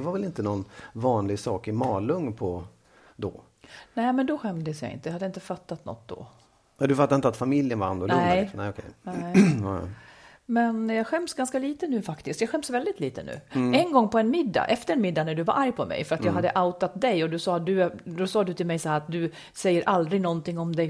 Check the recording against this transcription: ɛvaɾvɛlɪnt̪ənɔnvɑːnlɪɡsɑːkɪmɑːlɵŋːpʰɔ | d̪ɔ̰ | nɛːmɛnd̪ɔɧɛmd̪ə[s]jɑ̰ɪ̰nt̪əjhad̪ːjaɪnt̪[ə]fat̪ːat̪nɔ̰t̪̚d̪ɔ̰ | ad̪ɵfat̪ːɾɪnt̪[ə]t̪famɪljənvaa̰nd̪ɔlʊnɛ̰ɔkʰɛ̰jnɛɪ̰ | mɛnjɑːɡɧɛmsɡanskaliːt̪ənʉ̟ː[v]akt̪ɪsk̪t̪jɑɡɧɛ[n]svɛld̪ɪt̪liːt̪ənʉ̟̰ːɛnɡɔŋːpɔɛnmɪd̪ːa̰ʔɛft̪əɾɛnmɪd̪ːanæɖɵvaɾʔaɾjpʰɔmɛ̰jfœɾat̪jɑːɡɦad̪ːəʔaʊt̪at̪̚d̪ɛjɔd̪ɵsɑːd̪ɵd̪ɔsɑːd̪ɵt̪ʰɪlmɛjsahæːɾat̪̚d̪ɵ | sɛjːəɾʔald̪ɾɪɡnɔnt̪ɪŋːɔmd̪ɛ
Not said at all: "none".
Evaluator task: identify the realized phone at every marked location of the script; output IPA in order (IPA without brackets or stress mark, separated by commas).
s, ə, a, f, m